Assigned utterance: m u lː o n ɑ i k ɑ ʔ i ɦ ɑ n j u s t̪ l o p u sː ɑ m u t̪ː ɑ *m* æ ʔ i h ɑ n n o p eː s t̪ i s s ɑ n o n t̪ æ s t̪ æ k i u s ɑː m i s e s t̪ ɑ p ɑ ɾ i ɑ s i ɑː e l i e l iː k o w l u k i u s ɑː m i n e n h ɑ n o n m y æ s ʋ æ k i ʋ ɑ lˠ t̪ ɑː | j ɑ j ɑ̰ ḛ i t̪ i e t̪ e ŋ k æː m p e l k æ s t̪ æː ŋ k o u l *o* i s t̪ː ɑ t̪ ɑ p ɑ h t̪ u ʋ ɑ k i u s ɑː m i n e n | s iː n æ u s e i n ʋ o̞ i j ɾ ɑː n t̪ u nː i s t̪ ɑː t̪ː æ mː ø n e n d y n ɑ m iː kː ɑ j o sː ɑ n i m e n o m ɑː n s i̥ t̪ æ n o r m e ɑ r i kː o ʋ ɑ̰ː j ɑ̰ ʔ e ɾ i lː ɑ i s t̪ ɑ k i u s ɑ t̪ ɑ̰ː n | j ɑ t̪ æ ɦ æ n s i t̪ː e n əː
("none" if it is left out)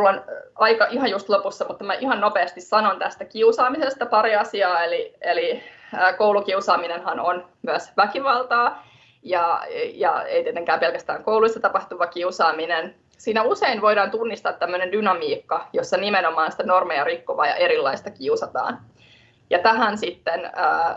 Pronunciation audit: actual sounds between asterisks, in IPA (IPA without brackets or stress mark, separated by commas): m, u